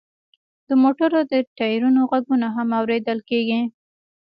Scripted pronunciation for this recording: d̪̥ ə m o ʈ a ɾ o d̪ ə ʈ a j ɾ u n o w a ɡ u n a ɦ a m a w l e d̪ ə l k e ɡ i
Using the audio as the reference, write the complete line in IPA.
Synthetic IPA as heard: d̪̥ ə m o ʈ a ɾ o d̪ ə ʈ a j ɾ u n o ɣ a ɡ u n a ɦ a m a w ɾ e d̪ ə l k e ɡ i